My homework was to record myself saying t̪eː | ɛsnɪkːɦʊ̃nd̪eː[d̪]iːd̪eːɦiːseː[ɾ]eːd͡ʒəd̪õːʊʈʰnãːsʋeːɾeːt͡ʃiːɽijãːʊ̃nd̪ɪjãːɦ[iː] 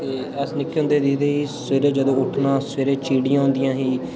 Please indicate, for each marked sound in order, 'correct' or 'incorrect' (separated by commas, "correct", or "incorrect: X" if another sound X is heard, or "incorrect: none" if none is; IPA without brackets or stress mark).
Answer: correct, correct, correct